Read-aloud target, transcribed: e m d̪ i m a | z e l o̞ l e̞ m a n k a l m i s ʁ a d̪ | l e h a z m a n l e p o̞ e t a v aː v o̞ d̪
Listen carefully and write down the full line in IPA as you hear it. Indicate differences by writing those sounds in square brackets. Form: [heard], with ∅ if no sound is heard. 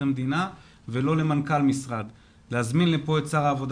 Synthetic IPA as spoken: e m d̪ i [n] a | [v] e l o̞ l e̞ m a n k a l m i s ʁ a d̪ | l e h a z m [i] n l e p o̞ e [t͡s] a [ʁ] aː v o̞ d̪